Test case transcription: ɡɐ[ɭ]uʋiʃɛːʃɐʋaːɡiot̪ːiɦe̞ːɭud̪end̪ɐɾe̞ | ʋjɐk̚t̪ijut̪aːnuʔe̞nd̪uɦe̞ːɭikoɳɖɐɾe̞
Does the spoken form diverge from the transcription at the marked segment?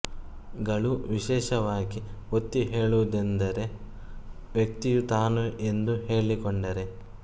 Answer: no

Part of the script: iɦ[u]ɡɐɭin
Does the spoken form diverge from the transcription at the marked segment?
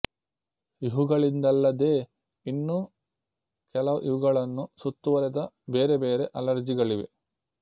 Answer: no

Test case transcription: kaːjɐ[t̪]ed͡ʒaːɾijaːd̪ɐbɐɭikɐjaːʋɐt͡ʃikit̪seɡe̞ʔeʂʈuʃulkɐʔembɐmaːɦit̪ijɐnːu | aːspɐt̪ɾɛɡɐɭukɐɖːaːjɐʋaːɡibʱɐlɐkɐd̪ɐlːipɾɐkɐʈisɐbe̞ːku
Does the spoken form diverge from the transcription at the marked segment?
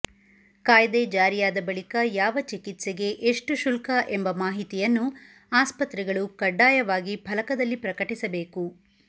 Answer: yes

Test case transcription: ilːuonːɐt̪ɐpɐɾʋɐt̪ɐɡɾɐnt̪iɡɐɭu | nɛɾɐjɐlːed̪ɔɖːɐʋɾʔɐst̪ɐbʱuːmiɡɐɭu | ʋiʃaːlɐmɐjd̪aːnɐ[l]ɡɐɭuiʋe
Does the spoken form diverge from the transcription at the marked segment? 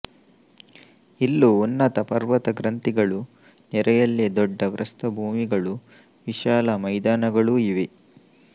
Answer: yes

